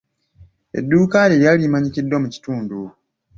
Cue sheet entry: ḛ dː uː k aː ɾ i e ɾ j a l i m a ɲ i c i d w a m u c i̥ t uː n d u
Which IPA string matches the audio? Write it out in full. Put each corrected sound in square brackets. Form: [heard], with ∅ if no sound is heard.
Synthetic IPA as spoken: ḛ dː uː k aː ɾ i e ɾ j a l i m a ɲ i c i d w a m u c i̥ t uː n d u

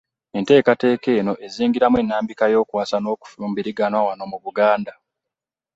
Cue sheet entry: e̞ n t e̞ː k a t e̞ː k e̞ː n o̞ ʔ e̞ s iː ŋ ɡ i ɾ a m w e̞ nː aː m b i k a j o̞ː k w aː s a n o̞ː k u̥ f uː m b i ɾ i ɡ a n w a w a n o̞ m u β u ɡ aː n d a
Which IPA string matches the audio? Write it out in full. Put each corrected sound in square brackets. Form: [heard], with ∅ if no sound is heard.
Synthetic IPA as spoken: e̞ n t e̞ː k a t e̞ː k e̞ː n o̞ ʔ e̞ [z] iː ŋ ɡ i ɾ a m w e̞ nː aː m b i k a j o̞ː k w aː s a n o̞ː k u̥ f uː m b i ɾ i ɡ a n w a w a n o̞ m u β u ɡ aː n d a

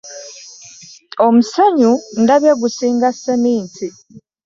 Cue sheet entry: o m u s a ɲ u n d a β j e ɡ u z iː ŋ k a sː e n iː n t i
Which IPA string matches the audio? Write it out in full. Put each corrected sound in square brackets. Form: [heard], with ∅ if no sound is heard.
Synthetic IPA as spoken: o m u s a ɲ u n d a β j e ɡ u [s] iː ŋ [ɡ] a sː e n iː n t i

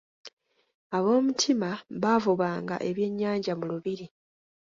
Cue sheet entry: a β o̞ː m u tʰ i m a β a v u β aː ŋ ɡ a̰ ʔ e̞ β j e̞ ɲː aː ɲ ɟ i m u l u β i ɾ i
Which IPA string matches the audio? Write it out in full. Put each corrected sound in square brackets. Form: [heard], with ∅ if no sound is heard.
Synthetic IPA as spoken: a β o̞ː m u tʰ i m a β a v u β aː ŋ ɡ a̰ ʔ e̞ β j e̞ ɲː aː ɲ ɟ [a] m u l u β i ɾ i

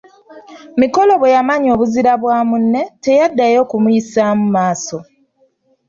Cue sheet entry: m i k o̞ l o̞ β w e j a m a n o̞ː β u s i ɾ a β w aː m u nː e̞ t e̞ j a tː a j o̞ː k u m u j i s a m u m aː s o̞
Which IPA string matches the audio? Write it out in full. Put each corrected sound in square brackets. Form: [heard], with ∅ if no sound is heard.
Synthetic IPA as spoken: m i k o̞ l o̞ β w e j a m a [ɲ] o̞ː β u [z] i ɾ a β w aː m u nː e̞ t e̞ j a [dː] a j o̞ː k u m u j i s a m u m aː s o̞

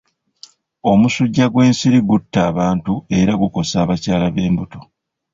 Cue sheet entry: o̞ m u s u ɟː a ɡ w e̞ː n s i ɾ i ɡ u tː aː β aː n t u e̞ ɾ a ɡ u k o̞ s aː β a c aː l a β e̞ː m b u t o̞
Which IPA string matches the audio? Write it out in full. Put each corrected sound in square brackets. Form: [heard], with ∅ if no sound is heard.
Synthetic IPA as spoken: o̞ m u s u ɟː a ɡ w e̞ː n s i ɾ i ɡ u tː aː β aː n t u e̞ ɾ a ɡ u k o̞ s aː β a c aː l a β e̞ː m b u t o̞

